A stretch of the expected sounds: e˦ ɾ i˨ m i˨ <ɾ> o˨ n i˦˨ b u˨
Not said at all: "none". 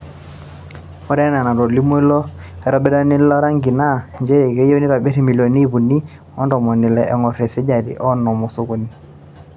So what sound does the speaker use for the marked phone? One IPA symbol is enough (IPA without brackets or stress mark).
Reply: l